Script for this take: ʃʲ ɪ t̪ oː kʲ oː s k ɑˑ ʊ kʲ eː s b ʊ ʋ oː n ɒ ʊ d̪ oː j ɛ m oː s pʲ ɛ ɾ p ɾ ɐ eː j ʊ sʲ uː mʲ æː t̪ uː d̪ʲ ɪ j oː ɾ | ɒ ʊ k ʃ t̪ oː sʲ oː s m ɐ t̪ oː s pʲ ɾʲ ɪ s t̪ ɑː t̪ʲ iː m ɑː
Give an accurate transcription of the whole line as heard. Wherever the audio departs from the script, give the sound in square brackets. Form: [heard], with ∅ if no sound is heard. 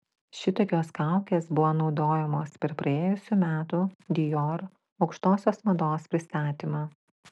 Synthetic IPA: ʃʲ ɪ t̪ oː kʲ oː s k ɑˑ ʊ kʲ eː s b ʊ ʋ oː n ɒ ʊ d̪ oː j ɛ m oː s pʲ ɛ ɾ p ɾ ɐ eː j ʊ sʲ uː mʲ æː t̪ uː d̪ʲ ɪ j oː ɾ | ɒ ʊ k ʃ t̪ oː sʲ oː s m ɐ [d̪] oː s pʲ ɾʲ ɪ s t̪ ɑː t̪ʲ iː m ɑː

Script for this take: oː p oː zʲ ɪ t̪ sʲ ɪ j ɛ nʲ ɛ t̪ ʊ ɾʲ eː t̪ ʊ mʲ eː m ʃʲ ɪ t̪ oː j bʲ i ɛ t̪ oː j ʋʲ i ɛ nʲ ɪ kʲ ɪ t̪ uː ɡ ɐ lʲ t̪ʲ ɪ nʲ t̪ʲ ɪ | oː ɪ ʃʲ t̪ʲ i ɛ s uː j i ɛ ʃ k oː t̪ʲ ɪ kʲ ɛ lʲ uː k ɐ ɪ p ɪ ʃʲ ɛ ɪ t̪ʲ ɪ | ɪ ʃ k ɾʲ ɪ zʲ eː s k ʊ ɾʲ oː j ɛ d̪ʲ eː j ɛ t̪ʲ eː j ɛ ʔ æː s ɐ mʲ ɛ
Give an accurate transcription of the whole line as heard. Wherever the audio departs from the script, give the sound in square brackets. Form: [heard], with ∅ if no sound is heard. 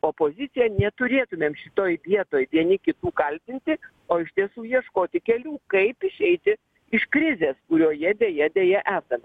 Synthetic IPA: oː p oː zʲ ɪ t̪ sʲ ɪ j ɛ nʲ ɛ t̪ ʊ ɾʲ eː t̪ ʊ mʲ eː m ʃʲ ɪ t̪ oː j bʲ i ɛ t̪ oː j ʋʲ i ɛ nʲ ɪ kʲ ɪ t̪ uː [k] ɐ lʲ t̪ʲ ɪ nʲ t̪ʲ ɪ | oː ɪ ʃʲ t̪ʲ i ɛ s uː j i ɛ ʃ k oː t̪ʲ ɪ kʲ ɛ lʲ uː k ɐ ɪ p ɪ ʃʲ ɛ ɪ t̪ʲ ɪ | ɪ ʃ k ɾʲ ɪ zʲ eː s k ʊ ɾʲ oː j ɛ d̪ʲ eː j ɛ [d̪ʲ] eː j ɛ ʔ æː s ɐ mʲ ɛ

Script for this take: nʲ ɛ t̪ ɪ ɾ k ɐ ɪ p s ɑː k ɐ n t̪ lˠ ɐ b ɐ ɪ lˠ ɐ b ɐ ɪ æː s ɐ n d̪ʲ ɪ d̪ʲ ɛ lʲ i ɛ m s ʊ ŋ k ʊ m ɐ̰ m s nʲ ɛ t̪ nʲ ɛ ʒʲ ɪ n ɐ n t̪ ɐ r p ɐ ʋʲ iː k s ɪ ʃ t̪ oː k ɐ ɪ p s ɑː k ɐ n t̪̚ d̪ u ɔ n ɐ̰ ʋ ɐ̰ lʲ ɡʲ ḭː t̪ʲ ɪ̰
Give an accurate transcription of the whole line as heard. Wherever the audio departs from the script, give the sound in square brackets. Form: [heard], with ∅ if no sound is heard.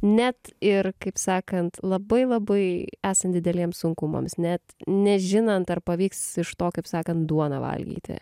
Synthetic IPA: nʲ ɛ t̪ ɪ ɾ k ɐ ɪ p s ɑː k ɐ n t̪ lˠ ɐ b ɐ ɪ lˠ ɐ b ɐ ɪ æː s ɐ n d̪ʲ ɪ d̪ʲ ɛ lʲ i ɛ m s ʊ ŋ k ʊ m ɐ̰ m s nʲ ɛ t̪ nʲ ɛ ʒʲ ɪ n ɐ n t̪ ɐ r p ɐ ʋʲ iː k s ɪ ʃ t̪ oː k ɐ ɪ p s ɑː k ɐ n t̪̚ d̪ u ɔ n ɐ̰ ʋ ɐ̰ lʲ ɡʲ ḭː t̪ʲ ɪ̰

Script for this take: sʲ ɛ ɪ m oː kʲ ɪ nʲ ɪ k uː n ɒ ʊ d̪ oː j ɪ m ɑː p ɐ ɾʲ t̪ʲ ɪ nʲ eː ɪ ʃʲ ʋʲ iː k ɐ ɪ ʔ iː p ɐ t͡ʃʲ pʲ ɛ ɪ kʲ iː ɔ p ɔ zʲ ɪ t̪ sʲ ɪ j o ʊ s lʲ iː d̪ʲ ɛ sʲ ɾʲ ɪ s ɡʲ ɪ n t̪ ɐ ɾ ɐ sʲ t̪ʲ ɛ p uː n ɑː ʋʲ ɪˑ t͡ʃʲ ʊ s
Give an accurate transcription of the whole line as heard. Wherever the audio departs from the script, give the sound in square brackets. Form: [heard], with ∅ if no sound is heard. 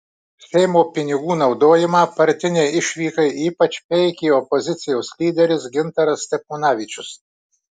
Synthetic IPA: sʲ ɛ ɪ m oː [pʲ] ɪ nʲ ɪ [ɡ] uː n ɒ ʊ d̪ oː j ɪ m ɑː p ɐ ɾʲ t̪ʲ ɪ nʲ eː ɪ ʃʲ ʋʲ iː k ɐ ɪ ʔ iː p ɐ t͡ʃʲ pʲ ɛ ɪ kʲ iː ɔ p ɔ zʲ ɪ t̪ sʲ ɪ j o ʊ s lʲ iː d̪ʲ ɛ [∅] ɾʲ ɪ s ɡʲ ɪ n t̪ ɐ ɾ ɐ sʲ t̪ʲ ɛ p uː n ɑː ʋʲ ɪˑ t͡ʃʲ ʊ s

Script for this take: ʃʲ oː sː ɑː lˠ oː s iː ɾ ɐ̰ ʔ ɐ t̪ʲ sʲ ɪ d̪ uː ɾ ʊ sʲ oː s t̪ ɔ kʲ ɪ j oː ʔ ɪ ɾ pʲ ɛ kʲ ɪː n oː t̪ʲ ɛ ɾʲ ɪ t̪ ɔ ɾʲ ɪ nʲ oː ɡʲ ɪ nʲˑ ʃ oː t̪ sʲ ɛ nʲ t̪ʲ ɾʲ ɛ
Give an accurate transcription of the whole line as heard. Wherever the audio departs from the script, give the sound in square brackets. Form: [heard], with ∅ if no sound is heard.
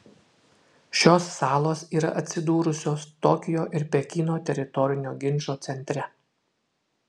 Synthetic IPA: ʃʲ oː sː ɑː lˠ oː s iː ɾ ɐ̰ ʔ ɐ t̪ʲ sʲ ɪ d̪ uː ɾ ʊ sʲ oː s t̪ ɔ kʲ ɪ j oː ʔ ɪ ɾ pʲ ɛ kʲ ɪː n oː t̪ʲ ɛ ɾʲ ɪ t̪ ɔ ɾʲ ɪ nʲ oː ɡʲ ɪ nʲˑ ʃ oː t̪ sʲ ɛ nʲ t̪ʲ ɾʲ ɛ

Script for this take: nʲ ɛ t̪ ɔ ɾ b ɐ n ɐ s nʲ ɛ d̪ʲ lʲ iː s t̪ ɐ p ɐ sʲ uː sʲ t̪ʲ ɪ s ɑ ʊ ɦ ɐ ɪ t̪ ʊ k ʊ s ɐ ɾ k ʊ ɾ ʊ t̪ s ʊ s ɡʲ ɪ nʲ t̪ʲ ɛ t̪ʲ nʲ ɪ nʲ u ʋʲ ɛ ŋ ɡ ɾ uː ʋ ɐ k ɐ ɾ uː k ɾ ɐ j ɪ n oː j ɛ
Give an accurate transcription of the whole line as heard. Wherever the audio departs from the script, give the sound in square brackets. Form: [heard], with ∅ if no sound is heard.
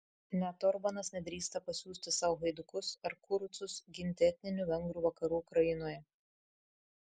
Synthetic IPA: nʲ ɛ t̪ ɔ ɾ b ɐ n ɐ s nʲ ɛ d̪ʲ [ɾʲ] iː s t̪ ɐ p ɐ sʲ uː sʲ t̪ʲ ɪ s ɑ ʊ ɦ ɐ ɪ [d̪] ʊ k ʊ s ɐ ɾ k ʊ ɾ ʊ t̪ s ʊ s ɡʲ ɪ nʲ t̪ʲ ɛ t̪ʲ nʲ ɪ nʲ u ʋʲ ɛ ŋ ɡ ɾ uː ʋ ɐ k ɐ ɾ uː k ɾ ɐ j ɪ n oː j ɛ

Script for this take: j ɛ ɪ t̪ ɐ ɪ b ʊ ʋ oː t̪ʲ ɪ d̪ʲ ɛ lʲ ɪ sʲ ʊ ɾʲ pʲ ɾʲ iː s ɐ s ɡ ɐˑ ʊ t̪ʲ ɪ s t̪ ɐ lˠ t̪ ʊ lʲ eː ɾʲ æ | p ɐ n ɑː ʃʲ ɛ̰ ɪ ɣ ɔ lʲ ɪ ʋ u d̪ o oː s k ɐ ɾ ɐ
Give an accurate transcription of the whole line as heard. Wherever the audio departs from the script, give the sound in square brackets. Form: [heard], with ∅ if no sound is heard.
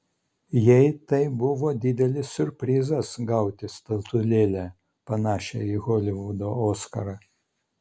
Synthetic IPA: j ɛ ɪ t̪ ɐ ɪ b ʊ ʋ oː [d̪ʲ] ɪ d̪ʲ ɛ lʲ ɪ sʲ ʊ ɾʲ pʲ ɾʲ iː [z] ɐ s ɡ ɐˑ ʊ t̪ʲ ɪ s t̪ ɐ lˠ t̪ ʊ lʲ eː [lʲ] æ | p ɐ n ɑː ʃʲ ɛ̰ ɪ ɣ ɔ lʲ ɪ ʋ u d̪ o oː s k ɐ ɾ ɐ

